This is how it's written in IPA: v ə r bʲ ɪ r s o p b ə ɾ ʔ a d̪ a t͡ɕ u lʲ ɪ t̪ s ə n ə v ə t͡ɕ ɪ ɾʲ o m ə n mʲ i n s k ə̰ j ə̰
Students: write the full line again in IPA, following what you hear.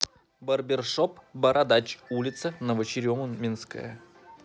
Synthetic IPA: b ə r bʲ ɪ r ʂ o p b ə ɾ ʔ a d̪ a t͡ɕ u lʲ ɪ t̪ s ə n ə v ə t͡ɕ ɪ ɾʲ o m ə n mʲ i n s k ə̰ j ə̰

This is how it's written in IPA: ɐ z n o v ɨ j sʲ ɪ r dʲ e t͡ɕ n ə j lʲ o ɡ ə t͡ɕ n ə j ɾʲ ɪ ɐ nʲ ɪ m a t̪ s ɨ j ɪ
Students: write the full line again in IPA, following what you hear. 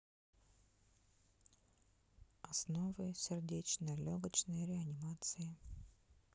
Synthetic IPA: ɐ s n o v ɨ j sʲ ɪ r dʲ e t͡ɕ n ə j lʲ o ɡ ə t͡ɕ n ə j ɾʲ ɪ ɐ nʲ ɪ m a t̪ s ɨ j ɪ

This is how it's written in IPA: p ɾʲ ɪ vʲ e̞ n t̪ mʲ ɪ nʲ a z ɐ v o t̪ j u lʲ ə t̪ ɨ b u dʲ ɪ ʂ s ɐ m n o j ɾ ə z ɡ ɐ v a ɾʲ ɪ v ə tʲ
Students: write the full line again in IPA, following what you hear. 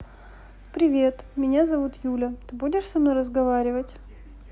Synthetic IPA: p ɾʲ ɪ vʲ e̞ t̪ mʲ ɪ nʲ a z ɐ v u t̪ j u lʲ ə t̪ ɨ b u dʲ ɪ ʂ s ɐ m n o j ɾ ə z ɡ ɐ v a ɾʲ ɪ v ə tʲ

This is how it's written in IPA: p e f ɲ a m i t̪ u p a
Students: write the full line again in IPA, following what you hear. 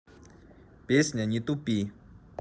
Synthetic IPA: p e s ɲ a ɲ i t̪ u p i

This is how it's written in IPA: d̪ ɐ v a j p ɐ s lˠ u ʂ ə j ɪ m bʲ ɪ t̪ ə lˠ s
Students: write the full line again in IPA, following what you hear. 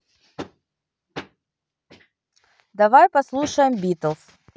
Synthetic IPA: d̪ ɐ v a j p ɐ s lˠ u ʂ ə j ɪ m bʲ i t̪ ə lˠ s

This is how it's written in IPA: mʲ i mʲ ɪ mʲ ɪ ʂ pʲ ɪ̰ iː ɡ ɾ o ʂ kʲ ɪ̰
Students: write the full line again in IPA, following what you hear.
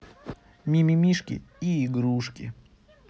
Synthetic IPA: mʲ i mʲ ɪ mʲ i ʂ kʲ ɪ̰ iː ɡ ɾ u ʂ kʲ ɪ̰

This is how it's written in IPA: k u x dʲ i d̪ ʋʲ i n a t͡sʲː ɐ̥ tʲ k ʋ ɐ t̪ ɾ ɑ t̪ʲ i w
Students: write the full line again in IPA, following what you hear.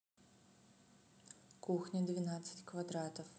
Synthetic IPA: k u x nʲ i d̪ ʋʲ i n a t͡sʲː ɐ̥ tʲ k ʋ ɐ d̪ ɾ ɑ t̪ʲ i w

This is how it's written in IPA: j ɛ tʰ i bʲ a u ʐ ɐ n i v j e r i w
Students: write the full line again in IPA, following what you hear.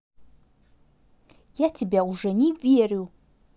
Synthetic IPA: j a tʰ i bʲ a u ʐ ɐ n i v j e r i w

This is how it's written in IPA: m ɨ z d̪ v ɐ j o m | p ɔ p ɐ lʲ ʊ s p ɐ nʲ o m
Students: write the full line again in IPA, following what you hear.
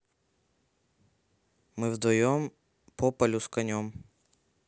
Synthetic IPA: m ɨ v d̪ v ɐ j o m | p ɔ p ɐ lʲ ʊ s k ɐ nʲ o m

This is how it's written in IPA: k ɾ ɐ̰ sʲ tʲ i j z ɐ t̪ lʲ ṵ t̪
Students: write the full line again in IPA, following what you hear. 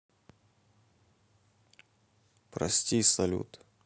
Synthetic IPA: p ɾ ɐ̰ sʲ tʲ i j s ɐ lʲ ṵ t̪

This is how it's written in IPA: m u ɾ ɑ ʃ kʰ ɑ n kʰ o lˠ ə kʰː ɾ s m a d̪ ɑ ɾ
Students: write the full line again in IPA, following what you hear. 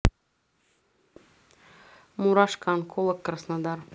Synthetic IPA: m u ɾ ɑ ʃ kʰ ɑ n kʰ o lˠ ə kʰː ɾ s n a d̪ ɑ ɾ

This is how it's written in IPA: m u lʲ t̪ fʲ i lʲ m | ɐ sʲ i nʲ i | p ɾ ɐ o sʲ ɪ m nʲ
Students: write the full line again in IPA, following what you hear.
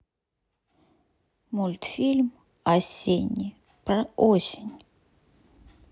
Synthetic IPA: m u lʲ t̪ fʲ i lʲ m | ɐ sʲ e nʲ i | p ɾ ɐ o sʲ ɪ nʲ

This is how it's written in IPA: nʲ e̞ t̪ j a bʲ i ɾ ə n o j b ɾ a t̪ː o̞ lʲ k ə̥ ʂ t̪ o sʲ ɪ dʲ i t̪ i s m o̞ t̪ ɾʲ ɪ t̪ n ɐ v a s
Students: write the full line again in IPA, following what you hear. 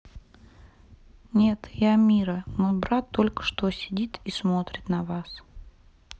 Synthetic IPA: nʲ e̞ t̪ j a mʲ i ɾ ə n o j b ɾ a t̪ː o̞ lʲ k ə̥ ʂ t̪ o sʲ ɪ dʲ i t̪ i s m o̞ t̪ ɾʲ ɪ t̪ n ɐ v a s

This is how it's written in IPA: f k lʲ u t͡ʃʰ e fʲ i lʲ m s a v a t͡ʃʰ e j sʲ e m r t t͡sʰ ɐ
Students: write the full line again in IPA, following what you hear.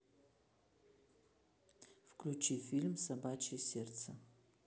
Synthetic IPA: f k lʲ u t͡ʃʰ i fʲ i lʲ m s a b a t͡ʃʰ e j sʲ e r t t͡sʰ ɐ

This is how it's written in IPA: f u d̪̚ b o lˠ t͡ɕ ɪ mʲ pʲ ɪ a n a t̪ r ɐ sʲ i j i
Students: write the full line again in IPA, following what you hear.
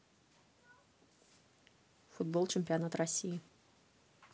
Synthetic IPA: f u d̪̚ b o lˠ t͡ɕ ɪ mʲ pʲ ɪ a n a t̪ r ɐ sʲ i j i

